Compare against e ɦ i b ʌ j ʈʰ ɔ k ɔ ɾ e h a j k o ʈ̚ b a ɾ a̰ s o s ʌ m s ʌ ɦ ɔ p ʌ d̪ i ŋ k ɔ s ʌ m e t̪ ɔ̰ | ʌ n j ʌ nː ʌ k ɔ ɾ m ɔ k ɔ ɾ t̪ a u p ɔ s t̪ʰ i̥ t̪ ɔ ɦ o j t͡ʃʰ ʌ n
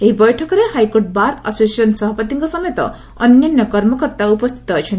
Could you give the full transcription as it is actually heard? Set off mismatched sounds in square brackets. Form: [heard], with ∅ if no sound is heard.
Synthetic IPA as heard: e ɦ i b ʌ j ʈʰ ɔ k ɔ ɾ e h a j k o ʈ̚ b a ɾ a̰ s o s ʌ [n] s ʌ ɦ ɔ p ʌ [t̪] i ŋ k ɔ s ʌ m e t̪ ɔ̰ | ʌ n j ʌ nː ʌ k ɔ ɾ m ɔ k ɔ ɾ t̪ a u p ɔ s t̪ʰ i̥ t̪ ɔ ɦ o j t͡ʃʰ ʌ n